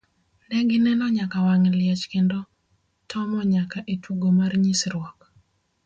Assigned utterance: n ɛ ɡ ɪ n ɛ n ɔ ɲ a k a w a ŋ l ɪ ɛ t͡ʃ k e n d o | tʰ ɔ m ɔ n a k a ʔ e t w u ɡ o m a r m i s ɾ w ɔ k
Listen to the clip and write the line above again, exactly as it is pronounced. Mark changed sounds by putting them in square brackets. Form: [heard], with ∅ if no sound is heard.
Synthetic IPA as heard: n ɛ ɡ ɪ n ɛ n ɔ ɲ a k a w a ŋ l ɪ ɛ t͡ʃ k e n d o | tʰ ɔ m ɔ [ɲ] a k a ʔ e t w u ɡ o m a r [ɲ] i s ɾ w ɔ k